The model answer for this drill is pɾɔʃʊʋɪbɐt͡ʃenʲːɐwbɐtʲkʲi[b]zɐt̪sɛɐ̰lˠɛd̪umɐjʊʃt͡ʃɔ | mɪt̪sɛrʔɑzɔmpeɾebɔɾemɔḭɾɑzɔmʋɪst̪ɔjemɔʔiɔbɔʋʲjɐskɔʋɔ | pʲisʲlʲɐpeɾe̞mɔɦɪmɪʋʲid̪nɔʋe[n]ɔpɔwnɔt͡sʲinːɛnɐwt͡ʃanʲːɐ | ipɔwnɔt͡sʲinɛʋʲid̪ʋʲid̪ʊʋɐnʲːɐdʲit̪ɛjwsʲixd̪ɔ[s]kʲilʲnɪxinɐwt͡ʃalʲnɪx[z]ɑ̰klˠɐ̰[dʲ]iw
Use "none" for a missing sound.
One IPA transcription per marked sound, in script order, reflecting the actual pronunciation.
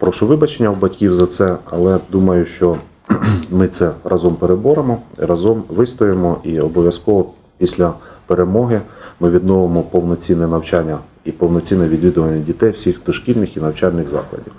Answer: w, m, ʃ, z, dʲ

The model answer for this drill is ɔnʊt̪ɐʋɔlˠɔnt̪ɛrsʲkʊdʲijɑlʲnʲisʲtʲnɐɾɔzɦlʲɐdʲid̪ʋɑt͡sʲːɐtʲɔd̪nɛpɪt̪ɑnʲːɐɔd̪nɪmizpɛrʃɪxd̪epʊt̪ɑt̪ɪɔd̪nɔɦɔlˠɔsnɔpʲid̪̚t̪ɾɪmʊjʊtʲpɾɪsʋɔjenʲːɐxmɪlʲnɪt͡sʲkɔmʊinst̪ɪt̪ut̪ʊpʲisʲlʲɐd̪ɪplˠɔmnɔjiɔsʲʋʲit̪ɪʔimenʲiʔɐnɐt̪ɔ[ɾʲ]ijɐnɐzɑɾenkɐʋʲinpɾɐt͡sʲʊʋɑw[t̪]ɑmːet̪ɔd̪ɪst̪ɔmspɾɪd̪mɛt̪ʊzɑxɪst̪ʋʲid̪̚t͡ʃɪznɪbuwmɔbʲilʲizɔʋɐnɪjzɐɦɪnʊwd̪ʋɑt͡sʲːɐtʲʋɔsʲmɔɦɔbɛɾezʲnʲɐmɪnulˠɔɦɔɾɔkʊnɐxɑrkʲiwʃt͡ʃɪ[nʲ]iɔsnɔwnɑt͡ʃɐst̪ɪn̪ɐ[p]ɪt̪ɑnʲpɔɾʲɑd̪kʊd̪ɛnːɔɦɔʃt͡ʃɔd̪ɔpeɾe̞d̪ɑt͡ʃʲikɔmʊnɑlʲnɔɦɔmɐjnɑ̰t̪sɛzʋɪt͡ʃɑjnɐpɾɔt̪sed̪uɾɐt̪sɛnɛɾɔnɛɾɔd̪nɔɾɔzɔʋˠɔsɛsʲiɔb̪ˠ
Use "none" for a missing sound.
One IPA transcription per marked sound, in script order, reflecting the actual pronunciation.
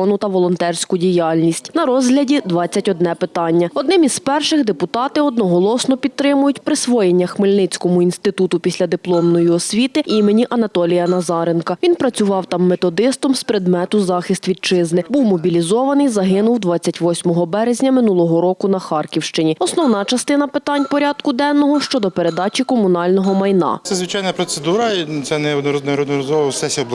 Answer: lʲ, t̪, nʲ, p

